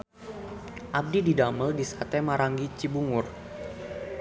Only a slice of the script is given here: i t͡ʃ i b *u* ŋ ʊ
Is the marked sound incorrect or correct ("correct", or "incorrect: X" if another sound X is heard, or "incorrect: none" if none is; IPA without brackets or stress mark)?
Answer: correct